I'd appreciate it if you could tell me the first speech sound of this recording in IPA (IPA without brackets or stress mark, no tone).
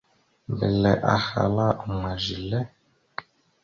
b